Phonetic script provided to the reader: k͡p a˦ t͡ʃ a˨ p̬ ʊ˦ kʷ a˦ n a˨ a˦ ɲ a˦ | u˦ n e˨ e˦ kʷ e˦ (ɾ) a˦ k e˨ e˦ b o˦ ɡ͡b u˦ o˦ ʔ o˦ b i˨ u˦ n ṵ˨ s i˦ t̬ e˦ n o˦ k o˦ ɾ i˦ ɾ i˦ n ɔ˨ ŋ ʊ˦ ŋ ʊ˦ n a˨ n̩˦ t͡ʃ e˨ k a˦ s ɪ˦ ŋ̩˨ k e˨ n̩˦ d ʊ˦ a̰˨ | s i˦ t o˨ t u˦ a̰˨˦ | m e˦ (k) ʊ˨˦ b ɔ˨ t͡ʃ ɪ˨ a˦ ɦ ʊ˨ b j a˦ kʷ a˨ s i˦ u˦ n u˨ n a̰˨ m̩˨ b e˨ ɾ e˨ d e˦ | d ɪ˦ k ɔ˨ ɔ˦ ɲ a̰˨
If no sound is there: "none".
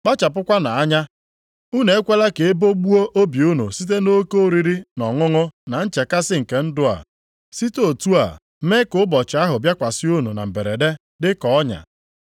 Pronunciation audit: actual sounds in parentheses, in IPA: l, k

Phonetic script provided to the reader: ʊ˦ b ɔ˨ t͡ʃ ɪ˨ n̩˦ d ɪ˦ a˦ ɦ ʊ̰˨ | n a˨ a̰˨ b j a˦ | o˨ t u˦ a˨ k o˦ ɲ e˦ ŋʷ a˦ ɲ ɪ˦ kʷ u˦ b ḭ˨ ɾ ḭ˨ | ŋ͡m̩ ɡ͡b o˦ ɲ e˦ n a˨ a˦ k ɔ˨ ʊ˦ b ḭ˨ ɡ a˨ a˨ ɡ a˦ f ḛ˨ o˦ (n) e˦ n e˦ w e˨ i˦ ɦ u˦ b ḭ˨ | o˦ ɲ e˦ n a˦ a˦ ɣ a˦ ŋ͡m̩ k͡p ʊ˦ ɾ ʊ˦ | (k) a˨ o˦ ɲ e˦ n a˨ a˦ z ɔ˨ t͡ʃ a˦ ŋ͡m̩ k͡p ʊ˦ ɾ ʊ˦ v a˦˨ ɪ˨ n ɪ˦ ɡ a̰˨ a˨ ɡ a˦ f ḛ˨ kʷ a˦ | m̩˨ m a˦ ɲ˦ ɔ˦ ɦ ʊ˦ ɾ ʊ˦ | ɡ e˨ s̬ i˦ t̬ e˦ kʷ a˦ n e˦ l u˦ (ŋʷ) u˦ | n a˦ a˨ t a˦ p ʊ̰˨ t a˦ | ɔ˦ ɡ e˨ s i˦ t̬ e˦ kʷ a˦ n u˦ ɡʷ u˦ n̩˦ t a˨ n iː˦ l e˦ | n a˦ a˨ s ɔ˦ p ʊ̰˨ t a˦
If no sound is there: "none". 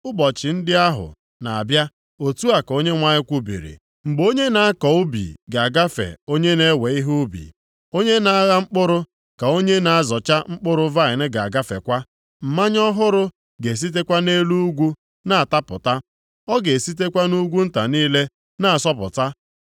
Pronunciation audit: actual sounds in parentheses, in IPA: ɲ, k, ɡʷ

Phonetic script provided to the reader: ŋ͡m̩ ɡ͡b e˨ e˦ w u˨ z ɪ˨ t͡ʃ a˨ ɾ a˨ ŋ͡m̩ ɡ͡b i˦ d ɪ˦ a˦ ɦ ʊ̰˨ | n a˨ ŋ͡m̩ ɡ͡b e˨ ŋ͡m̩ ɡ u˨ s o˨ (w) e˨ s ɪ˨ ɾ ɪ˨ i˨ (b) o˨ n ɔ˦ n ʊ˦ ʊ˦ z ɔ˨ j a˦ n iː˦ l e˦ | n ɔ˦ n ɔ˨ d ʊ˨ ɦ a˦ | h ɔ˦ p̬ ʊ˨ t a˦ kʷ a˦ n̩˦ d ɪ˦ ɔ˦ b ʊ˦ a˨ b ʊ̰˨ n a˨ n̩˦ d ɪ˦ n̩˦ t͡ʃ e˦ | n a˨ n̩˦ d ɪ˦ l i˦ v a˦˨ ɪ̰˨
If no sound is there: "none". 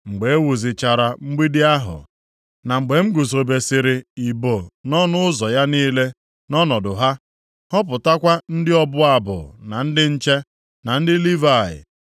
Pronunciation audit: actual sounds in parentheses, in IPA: b, b

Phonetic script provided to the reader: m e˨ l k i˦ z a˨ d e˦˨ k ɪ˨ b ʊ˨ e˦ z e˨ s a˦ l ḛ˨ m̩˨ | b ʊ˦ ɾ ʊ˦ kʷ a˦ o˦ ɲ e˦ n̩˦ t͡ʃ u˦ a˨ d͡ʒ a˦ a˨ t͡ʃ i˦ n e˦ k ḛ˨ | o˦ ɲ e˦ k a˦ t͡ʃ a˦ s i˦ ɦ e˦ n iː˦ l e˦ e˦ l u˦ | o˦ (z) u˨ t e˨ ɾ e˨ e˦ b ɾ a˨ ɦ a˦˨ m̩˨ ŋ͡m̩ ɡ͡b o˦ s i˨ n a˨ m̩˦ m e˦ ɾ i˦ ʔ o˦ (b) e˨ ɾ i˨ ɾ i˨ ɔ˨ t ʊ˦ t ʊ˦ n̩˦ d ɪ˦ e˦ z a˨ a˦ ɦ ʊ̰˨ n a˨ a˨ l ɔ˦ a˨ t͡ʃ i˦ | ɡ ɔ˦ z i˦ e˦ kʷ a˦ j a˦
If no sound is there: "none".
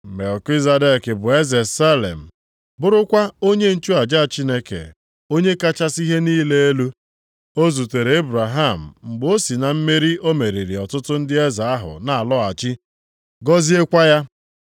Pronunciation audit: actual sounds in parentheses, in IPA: z, m

